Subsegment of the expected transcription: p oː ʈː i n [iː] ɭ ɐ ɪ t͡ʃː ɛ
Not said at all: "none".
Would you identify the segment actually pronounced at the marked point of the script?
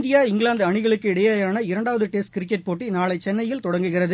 aː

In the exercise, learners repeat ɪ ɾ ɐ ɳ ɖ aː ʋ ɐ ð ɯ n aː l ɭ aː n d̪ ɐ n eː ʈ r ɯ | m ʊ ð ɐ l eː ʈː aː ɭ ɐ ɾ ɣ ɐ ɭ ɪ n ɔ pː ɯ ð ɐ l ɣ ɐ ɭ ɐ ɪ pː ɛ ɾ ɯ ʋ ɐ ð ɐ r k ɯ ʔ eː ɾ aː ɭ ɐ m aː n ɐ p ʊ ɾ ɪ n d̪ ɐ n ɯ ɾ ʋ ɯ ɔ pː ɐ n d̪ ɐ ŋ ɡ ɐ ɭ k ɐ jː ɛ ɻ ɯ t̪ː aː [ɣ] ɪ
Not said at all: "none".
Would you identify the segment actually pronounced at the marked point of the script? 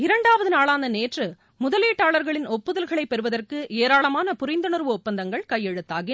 ɣ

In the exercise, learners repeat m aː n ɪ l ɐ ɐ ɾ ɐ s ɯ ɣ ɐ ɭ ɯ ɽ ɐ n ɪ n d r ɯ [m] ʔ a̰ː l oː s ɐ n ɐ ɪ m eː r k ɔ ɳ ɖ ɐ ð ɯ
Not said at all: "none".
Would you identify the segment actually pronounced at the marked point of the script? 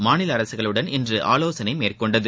none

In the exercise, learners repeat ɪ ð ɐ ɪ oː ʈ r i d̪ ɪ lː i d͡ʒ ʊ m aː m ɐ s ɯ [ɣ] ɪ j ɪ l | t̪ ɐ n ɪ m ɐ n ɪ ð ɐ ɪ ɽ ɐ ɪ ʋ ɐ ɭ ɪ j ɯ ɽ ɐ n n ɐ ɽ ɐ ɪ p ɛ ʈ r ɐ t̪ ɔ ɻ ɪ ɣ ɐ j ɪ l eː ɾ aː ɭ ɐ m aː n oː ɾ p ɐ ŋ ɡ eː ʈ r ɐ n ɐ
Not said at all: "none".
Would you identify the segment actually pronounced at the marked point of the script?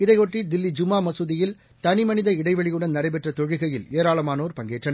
ð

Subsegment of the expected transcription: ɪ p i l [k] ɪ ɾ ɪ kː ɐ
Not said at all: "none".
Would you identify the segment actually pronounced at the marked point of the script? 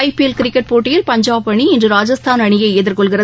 k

